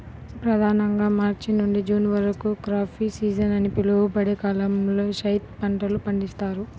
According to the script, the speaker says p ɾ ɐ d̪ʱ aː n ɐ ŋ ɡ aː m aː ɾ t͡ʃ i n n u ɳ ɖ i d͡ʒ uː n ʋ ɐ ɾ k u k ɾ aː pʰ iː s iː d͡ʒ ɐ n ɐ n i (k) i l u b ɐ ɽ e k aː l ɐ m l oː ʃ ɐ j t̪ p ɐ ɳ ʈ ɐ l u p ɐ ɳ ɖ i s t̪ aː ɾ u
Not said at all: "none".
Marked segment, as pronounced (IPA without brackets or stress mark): p